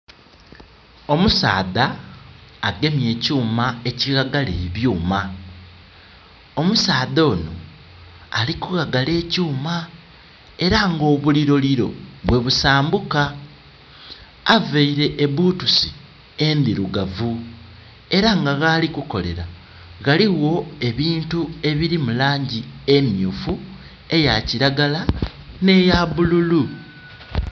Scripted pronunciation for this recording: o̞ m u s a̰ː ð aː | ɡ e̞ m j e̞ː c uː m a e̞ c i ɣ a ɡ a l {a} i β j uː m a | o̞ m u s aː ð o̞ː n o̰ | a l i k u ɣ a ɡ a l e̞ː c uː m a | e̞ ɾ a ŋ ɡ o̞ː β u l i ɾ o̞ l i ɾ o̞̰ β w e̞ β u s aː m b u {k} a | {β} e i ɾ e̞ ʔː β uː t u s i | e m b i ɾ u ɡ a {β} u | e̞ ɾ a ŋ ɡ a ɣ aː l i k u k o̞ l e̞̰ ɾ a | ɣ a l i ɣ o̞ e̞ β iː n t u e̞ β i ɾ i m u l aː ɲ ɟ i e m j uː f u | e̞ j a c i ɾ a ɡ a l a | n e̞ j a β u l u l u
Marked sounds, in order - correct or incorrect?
incorrect, correct, incorrect, incorrect

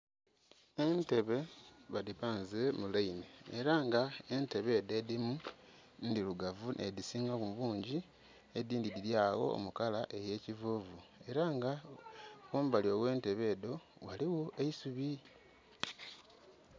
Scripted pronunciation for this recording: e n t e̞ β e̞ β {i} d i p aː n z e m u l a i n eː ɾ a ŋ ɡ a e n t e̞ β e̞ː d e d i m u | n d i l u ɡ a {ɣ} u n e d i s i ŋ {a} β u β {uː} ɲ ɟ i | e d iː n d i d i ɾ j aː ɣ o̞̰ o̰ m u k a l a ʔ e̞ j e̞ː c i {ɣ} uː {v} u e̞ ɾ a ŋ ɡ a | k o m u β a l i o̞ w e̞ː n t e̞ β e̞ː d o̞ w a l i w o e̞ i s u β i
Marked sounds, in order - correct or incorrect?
incorrect, incorrect, correct, correct, incorrect, correct

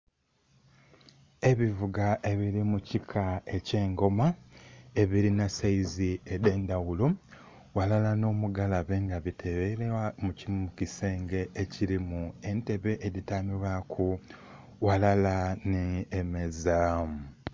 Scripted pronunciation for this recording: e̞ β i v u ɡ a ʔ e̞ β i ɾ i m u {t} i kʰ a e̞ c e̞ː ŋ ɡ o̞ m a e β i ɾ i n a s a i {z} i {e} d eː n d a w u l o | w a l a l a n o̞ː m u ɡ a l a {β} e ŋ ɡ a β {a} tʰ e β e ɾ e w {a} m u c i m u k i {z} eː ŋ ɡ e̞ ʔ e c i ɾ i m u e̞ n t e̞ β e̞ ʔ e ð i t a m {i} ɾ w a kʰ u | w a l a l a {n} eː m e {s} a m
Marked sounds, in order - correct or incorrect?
incorrect, correct, correct, correct, incorrect, correct, incorrect, correct, correct, incorrect

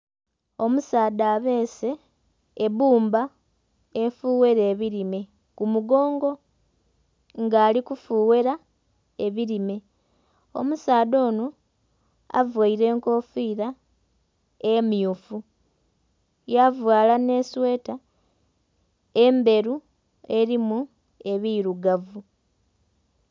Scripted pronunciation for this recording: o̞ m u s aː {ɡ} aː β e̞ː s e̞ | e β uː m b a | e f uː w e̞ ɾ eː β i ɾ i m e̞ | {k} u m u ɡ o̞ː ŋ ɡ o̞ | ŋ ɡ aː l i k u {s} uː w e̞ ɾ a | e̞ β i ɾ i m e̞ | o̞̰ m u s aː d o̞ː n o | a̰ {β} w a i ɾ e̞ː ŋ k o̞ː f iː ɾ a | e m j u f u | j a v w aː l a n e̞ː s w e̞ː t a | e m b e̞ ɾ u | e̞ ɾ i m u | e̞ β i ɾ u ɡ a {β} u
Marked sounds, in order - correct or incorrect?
incorrect, correct, incorrect, incorrect, incorrect

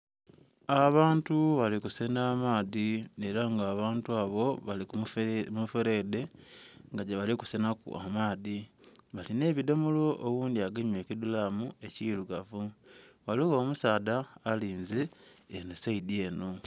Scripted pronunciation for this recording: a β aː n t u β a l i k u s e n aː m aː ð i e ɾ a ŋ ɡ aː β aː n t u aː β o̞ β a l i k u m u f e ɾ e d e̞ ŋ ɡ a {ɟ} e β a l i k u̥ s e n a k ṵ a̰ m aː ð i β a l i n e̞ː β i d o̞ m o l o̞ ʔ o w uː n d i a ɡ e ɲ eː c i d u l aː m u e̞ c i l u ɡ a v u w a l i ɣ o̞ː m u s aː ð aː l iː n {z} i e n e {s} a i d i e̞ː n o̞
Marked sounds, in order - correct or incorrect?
correct, correct, correct

